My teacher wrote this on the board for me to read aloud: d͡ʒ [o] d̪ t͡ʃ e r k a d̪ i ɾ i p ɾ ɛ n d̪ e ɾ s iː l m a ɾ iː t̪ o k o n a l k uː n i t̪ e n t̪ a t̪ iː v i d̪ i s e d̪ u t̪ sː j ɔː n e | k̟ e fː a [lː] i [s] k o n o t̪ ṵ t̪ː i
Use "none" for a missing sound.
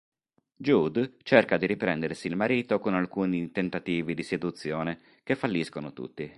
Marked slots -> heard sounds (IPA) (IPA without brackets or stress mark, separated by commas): u, lː, s